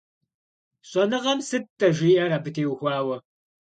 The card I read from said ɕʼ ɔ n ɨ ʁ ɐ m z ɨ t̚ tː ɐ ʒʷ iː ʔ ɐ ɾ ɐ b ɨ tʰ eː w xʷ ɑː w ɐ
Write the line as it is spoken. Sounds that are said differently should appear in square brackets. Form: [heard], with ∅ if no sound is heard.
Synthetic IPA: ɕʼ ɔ n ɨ ʁ ɐ m [s] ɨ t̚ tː ɐ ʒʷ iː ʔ ɐ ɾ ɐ b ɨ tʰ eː w xʷ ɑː w ɐ